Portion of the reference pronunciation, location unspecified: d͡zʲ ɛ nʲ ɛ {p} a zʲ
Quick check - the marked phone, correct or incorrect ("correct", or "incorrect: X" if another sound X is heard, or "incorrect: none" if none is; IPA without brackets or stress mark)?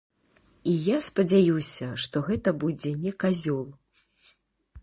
incorrect: k